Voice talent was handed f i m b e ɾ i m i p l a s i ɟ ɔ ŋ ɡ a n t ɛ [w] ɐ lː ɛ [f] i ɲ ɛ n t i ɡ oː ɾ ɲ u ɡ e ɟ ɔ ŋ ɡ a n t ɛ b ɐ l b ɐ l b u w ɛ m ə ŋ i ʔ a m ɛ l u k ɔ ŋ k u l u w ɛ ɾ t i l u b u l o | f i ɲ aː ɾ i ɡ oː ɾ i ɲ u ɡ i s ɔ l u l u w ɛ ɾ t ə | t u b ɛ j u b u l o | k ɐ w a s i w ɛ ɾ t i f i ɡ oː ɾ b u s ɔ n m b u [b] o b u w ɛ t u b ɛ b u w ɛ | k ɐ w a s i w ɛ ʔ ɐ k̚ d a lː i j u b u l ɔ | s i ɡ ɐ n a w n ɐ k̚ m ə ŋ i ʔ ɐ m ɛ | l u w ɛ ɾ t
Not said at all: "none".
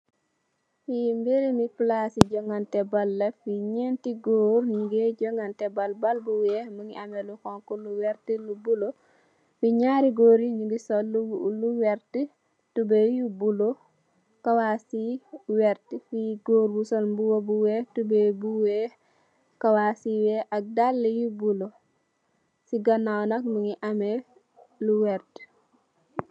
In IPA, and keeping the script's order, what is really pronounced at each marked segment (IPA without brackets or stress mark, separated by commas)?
b, f, w